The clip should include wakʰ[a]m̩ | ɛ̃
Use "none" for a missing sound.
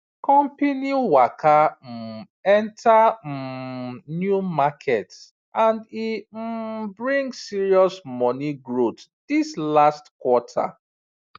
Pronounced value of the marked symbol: a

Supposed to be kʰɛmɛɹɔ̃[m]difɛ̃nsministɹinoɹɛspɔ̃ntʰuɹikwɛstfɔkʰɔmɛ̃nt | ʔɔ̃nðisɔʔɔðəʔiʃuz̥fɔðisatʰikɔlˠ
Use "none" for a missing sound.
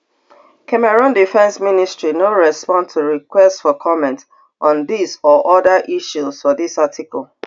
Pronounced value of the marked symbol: n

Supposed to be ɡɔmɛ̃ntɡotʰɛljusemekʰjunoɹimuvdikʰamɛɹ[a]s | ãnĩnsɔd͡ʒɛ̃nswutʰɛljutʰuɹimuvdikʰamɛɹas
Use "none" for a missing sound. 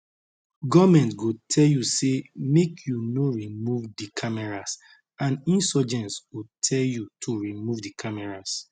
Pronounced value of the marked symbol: a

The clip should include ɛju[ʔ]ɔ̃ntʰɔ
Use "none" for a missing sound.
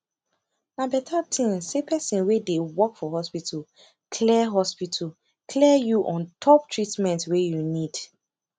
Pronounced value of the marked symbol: ʔ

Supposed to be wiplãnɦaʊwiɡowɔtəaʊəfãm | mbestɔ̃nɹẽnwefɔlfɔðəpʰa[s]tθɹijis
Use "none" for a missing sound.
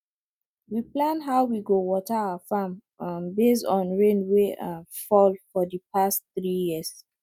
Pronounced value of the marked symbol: s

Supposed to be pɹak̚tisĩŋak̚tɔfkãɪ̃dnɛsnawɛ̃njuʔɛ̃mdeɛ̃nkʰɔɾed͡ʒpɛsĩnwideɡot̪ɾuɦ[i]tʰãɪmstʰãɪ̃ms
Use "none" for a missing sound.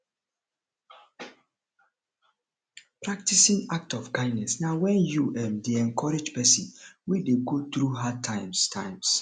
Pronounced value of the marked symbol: a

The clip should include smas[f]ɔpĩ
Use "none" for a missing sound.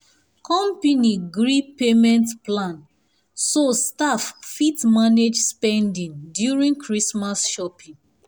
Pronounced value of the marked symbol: ʃ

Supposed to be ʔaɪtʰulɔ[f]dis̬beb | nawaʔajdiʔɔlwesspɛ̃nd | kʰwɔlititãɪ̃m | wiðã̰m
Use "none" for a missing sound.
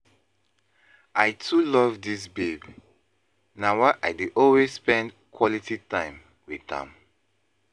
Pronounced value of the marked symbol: v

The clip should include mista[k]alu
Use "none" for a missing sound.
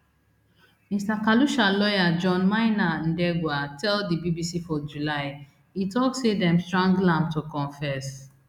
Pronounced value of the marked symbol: k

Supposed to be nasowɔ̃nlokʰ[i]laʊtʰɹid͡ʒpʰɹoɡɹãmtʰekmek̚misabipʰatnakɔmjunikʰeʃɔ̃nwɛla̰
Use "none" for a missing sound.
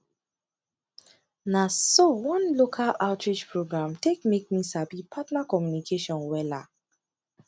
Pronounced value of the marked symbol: a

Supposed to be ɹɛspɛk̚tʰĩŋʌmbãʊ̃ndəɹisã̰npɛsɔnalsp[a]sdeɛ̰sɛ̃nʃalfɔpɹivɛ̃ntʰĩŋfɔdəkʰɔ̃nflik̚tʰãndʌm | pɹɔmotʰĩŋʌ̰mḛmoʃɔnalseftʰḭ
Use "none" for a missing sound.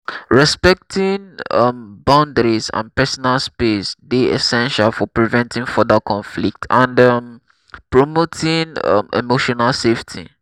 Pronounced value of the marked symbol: e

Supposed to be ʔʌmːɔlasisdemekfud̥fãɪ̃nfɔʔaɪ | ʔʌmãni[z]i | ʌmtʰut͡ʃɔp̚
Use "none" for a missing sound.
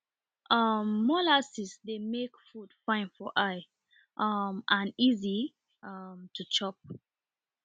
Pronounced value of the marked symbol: z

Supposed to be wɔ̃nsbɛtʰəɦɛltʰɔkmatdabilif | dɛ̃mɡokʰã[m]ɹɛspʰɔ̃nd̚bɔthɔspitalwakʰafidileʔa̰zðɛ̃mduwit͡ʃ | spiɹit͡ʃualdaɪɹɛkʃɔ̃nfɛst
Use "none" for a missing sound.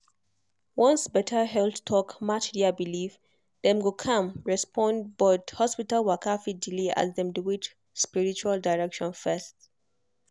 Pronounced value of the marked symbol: m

